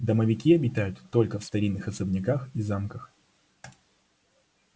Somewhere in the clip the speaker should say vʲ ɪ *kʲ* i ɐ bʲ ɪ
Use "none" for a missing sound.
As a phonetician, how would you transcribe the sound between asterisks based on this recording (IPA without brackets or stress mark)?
kʲ